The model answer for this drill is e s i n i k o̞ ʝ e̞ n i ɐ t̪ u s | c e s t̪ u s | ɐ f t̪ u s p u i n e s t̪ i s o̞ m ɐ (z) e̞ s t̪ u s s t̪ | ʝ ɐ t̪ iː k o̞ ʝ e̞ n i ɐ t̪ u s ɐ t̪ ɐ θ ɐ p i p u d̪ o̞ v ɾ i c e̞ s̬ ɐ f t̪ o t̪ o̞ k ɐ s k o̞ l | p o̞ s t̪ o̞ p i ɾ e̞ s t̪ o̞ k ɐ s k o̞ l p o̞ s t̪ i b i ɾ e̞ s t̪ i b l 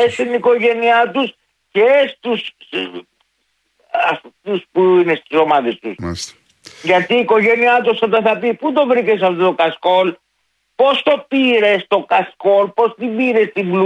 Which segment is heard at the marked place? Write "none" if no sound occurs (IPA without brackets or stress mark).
ð